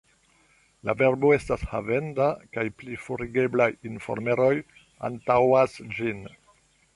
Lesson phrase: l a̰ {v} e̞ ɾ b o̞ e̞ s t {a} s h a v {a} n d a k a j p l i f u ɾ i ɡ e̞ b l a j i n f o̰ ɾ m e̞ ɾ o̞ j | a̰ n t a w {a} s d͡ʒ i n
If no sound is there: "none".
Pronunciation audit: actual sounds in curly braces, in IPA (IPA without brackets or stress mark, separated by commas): v, a, e, a